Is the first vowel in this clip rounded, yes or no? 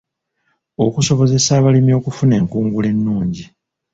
yes